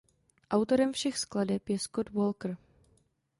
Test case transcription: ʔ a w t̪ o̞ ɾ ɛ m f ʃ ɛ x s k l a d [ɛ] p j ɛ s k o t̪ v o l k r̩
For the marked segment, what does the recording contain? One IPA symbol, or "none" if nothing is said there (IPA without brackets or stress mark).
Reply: ɛ